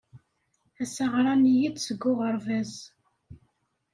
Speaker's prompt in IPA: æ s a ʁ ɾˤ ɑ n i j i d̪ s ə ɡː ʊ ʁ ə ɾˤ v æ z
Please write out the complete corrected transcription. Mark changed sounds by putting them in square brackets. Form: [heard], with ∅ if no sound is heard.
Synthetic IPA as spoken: æ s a ʁ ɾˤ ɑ n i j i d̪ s ə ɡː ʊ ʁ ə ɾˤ v æ z